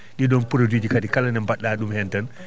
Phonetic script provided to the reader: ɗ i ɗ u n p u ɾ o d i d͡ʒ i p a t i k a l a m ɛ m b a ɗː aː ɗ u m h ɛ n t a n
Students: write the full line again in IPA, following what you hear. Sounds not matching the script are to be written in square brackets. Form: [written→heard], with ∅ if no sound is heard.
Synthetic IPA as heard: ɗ i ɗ [u→ɔ] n p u ɾ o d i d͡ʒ i [p→k] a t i k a l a [m→n] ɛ m b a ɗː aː ɗ u m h ɛ n t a n